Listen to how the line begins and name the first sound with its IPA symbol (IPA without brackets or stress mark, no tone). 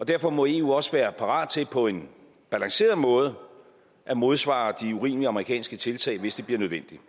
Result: ɒ̽